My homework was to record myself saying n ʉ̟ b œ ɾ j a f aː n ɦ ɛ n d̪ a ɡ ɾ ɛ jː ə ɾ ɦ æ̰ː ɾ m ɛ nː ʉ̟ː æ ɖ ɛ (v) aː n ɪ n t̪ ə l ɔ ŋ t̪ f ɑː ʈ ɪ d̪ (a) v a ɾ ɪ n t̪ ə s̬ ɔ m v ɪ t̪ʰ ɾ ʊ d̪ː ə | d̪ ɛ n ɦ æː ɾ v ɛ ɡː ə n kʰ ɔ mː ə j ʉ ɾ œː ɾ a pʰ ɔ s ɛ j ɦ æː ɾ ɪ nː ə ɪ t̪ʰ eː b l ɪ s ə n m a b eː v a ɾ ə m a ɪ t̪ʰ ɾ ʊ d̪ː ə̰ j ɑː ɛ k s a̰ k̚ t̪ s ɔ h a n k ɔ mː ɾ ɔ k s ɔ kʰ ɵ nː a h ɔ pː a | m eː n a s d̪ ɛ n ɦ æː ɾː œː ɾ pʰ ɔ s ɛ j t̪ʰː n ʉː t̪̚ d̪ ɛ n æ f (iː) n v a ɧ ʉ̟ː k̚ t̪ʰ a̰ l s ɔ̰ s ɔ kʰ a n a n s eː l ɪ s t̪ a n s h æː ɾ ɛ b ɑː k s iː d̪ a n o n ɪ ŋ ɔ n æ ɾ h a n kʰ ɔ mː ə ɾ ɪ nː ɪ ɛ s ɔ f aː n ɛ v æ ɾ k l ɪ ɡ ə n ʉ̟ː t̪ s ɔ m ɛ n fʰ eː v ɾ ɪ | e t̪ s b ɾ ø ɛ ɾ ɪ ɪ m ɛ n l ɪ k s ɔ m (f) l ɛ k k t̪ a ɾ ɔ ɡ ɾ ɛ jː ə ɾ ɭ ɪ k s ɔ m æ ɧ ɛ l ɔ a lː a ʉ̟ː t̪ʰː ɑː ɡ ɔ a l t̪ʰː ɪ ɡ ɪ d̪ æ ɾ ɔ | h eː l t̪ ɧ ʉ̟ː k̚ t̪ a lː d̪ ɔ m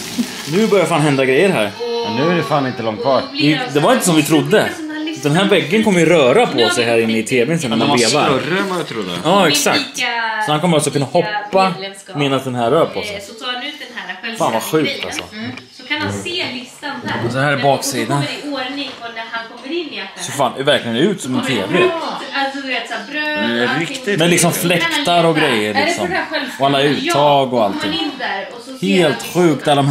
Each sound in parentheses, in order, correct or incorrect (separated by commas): incorrect, incorrect, incorrect, correct